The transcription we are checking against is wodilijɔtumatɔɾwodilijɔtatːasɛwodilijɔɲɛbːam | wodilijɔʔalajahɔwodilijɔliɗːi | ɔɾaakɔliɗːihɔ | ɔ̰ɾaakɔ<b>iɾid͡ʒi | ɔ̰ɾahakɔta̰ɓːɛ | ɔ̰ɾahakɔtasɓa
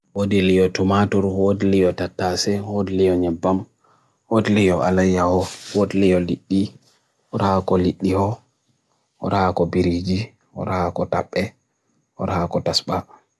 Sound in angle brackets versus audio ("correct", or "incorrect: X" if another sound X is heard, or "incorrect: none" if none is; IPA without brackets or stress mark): correct